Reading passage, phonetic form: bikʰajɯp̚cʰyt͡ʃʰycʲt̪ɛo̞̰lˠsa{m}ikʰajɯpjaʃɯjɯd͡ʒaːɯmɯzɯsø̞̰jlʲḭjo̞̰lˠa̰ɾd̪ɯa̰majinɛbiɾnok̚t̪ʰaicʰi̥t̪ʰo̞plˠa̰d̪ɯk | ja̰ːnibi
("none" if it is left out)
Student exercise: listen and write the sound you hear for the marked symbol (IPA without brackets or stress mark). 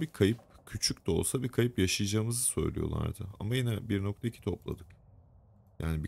b